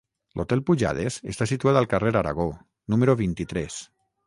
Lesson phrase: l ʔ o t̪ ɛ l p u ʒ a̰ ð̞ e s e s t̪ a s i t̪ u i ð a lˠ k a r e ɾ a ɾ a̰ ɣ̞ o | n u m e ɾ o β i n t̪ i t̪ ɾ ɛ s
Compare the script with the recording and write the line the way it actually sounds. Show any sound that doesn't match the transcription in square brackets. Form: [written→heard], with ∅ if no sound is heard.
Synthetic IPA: l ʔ o t̪ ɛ l p u ʒ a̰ ð̞ e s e s t̪ a s i t̪ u [i→a] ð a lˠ k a r e ɾ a ɾ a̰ ɣ̞ o | n u m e ɾ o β i n t̪ i t̪ ɾ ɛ s